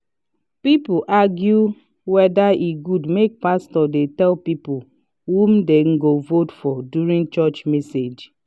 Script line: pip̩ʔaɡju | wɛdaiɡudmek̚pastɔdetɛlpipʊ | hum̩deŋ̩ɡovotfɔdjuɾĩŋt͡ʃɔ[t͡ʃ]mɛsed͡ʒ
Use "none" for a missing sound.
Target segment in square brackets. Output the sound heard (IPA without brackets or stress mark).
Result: t͡ʃ